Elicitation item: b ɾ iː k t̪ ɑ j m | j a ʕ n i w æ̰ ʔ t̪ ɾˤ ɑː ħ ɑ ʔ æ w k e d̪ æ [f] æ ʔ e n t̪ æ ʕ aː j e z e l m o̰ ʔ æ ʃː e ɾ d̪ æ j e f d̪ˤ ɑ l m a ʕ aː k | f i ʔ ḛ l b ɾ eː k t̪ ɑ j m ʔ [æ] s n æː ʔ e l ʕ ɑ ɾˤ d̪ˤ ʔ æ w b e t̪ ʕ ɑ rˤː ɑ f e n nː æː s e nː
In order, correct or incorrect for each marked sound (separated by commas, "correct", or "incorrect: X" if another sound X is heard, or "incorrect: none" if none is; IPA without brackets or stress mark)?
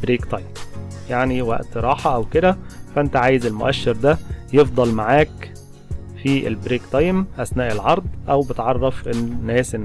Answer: correct, correct